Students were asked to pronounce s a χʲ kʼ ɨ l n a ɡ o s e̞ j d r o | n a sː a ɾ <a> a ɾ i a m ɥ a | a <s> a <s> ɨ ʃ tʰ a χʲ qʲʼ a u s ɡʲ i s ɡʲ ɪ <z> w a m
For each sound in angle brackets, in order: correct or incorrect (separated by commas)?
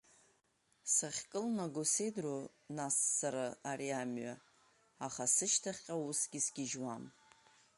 correct, incorrect, correct, incorrect